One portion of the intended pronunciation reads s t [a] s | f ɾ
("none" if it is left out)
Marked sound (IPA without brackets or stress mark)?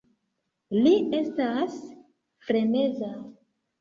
a